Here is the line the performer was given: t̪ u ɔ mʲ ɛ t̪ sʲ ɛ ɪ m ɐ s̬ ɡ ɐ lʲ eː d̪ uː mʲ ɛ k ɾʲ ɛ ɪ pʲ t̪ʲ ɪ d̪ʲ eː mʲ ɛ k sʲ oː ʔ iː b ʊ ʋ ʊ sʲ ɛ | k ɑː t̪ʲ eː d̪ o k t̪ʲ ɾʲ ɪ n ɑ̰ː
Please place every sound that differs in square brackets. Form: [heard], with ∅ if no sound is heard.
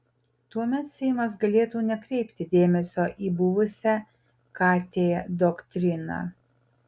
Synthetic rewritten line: t̪ u ɔ mʲ ɛ t̪ sʲ ɛ ɪ m ɐ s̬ ɡ ɐ lʲ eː [t̪] uː [nʲ] ɛ k ɾʲ ɛ ɪ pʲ t̪ʲ ɪ d̪ʲ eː mʲ ɛ [∅] sʲ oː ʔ iː b ʊ ʋ ʊ sʲ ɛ | k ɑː t̪ʲ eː d̪ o k t̪ʲ ɾʲ ɪ n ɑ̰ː